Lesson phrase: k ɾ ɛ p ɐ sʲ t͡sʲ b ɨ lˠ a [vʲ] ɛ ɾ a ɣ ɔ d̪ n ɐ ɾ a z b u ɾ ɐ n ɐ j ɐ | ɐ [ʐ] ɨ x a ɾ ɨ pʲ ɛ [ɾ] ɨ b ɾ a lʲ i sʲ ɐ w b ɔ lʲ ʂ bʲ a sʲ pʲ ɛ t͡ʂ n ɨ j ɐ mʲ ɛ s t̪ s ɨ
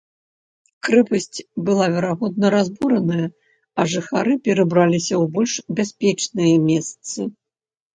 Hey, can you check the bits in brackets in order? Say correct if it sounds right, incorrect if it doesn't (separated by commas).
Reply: correct, correct, correct